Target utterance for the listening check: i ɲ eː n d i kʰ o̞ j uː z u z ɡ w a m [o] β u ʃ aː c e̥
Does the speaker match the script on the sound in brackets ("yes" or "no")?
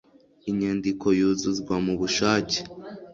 no